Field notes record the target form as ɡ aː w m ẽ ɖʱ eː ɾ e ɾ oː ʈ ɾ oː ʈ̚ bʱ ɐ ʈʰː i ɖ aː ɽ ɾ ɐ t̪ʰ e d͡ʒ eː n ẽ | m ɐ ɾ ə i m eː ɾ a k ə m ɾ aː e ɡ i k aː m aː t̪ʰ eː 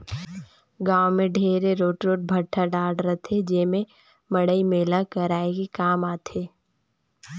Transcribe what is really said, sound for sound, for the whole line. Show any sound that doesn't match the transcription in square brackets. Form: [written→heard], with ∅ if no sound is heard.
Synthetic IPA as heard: ɡ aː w m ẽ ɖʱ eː ɾ e ɾ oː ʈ ɾ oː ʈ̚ bʱ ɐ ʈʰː [i→a] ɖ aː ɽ ɾ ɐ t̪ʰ e d͡ʒ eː [n→m] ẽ | m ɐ [ɾ→ɽ] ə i m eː [ɾ→l] a k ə [m→∅] ɾ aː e ɡ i k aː m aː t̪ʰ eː